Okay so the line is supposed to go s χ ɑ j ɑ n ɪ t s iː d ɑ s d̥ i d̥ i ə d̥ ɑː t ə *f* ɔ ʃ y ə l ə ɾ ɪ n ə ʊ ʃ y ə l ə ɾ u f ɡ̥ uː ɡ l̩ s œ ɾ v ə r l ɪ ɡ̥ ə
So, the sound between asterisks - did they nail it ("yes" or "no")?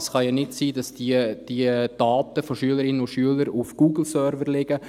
yes